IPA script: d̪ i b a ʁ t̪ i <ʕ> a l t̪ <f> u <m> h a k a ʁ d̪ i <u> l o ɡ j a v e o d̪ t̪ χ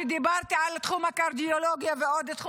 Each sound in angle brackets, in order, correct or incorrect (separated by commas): correct, incorrect, correct, incorrect